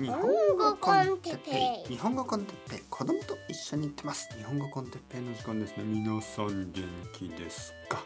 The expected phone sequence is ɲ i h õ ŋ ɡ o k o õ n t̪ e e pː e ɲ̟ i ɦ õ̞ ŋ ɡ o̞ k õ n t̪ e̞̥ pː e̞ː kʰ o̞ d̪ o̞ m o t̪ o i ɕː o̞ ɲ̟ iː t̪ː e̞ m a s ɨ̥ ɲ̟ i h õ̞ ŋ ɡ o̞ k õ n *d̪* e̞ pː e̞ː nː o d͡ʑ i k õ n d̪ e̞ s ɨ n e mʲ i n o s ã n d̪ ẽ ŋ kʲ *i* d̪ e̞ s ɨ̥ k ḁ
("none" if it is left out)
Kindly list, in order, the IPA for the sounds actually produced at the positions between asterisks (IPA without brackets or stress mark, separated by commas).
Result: t̪, i